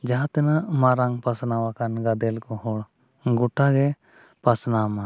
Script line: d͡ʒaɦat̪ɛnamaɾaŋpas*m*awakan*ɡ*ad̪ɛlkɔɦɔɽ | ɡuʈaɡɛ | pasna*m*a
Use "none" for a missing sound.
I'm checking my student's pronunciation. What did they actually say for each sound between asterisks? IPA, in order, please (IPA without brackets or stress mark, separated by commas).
n, ɡ, m